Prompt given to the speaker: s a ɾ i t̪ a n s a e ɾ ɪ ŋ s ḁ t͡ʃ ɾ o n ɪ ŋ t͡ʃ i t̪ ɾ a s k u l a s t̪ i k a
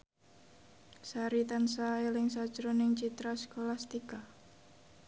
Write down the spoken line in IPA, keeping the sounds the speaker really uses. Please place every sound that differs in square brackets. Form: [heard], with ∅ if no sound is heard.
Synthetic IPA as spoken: s a ɾ i t̪ a n s a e [l] ɪ ŋ s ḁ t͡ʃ ɾ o n ɪ ŋ t͡ʃ i t̪ ɾ a s k [o] l a s t̪ i k a